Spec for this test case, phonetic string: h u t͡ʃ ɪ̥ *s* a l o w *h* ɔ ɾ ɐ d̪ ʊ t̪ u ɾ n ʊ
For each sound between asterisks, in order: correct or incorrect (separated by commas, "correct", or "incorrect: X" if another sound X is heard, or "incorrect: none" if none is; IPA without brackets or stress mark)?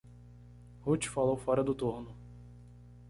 incorrect: f, incorrect: f